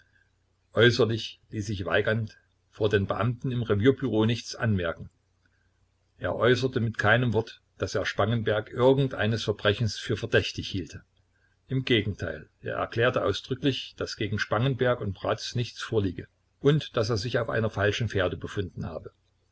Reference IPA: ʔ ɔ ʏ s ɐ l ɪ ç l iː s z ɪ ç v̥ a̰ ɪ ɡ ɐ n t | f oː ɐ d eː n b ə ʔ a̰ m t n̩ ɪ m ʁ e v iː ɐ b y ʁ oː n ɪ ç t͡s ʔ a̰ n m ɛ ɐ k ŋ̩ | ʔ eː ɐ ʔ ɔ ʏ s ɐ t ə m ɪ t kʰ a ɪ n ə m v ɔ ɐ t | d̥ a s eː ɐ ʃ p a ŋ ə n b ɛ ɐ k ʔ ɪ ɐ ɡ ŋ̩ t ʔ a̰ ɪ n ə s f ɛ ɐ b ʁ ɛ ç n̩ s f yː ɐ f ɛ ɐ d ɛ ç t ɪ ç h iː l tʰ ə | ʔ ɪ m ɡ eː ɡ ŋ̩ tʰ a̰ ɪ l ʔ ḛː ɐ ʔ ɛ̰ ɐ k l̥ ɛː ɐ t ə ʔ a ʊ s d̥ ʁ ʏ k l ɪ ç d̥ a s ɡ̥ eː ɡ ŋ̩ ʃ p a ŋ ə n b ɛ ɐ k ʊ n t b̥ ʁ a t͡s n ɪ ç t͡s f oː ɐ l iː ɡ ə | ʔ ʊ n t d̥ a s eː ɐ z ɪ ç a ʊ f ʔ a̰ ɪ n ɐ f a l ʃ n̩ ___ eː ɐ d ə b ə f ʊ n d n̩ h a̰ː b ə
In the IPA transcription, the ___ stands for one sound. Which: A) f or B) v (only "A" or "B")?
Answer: A